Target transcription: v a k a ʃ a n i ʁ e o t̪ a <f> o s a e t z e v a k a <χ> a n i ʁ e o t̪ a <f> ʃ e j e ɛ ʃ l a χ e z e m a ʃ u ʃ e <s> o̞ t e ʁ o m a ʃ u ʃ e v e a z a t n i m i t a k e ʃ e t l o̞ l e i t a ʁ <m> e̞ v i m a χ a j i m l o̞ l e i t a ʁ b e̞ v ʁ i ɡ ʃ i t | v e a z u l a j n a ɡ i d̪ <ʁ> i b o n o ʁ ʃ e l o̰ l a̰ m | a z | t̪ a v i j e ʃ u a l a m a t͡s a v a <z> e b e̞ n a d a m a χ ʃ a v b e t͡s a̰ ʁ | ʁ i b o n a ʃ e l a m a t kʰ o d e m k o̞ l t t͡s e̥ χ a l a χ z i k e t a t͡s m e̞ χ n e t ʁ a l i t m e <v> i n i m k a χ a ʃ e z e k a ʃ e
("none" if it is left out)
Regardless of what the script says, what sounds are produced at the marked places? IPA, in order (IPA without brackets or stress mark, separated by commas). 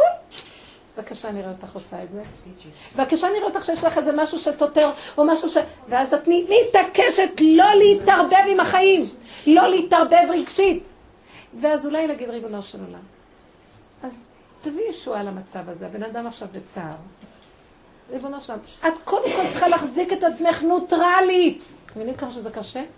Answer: χ, ʃ, χ, s, b, ʁ, z, v